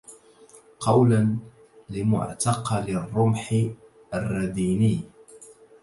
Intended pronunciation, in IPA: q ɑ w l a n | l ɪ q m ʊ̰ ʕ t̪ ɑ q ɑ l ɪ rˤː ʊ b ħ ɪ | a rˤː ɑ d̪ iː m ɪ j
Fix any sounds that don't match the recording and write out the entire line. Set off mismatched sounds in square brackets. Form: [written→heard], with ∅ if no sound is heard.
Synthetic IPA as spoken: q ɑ w l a n | l ɪ [q→∅] m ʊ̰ ʕ t̪ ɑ q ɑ l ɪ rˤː ʊ [b→m] ħ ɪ | a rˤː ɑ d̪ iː [m→n] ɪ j